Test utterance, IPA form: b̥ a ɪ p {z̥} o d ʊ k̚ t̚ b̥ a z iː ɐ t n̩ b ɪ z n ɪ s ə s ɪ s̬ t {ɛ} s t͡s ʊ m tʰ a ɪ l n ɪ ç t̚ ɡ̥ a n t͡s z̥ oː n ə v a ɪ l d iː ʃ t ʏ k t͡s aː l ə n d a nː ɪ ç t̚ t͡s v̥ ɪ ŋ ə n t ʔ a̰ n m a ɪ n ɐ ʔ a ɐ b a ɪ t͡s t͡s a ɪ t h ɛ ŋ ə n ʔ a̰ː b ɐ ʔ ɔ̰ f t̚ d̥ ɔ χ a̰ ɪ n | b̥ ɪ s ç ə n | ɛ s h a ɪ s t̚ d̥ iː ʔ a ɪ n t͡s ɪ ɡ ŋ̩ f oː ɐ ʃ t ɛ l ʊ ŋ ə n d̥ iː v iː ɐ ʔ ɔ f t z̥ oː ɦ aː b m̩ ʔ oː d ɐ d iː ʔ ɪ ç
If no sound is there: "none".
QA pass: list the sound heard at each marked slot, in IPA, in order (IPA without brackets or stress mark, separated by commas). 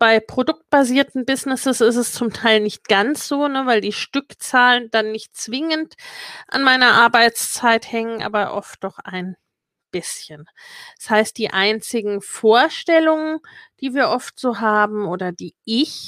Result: ʁ̥, ɛ